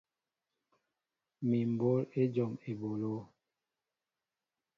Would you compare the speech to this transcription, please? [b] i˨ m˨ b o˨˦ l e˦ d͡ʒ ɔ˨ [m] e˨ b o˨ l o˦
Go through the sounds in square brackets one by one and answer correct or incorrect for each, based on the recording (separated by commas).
incorrect, correct